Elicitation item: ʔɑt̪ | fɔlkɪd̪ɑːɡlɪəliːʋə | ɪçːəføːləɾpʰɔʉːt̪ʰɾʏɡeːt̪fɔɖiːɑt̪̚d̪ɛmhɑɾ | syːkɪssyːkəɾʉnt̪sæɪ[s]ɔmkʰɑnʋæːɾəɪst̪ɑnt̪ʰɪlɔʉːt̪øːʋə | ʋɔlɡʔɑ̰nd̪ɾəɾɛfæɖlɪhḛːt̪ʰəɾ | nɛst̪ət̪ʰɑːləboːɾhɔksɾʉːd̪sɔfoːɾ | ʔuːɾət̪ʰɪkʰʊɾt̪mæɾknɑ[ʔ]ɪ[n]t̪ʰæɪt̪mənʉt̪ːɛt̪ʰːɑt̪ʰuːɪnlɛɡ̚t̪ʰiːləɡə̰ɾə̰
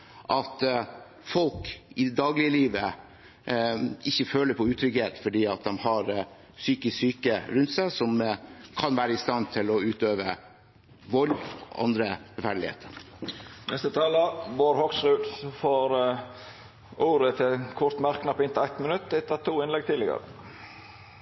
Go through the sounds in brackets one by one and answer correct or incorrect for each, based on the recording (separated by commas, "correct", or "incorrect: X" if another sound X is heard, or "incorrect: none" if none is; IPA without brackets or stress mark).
correct, incorrect: p, correct